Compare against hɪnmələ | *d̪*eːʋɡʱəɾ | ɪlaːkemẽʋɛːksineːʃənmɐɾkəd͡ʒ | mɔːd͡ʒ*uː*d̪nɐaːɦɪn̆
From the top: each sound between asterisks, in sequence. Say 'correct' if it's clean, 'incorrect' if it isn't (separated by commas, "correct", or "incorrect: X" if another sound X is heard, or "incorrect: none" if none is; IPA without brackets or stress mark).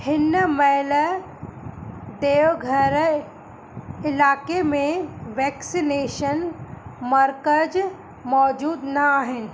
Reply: correct, correct